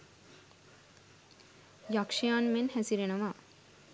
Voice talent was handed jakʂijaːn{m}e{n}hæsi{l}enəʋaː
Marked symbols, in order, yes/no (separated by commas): yes, yes, no